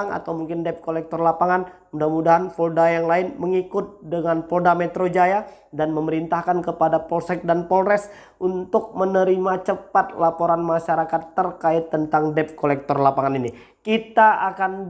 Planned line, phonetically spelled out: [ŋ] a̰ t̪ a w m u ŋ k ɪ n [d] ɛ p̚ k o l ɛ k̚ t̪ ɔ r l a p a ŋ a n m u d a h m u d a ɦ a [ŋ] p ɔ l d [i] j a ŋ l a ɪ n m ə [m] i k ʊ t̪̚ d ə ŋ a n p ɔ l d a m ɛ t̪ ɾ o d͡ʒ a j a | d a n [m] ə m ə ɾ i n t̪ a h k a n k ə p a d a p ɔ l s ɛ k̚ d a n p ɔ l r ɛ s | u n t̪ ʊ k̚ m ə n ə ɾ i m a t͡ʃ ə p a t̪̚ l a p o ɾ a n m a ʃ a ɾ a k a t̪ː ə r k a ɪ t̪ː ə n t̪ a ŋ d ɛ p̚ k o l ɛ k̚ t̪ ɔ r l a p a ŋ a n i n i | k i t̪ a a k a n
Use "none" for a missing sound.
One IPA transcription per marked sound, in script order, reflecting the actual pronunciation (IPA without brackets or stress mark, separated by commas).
ŋ, d, n, a, ŋ, m